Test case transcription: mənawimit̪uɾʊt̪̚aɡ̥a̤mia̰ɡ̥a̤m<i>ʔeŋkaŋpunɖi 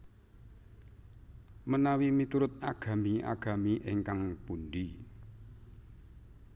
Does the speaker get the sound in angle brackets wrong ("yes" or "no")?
no